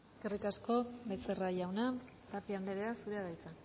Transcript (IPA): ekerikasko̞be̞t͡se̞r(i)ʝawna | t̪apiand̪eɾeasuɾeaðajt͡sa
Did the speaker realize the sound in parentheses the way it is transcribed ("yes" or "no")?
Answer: no